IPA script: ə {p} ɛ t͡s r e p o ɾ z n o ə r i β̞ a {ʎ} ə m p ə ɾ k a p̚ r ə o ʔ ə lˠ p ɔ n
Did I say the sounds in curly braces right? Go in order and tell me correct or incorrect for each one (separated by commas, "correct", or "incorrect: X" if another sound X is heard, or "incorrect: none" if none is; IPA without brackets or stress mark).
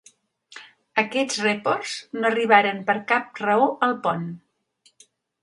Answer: incorrect: k, incorrect: ɾ